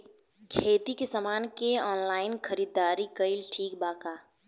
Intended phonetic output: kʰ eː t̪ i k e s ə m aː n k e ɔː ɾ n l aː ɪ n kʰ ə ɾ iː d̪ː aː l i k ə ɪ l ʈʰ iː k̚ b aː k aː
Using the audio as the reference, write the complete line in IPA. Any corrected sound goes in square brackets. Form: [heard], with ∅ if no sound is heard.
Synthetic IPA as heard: kʰ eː t̪ i k e s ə m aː n k e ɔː [∅] n l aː ɪ n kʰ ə ɾ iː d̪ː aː [ɾ] i k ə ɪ l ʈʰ iː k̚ b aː k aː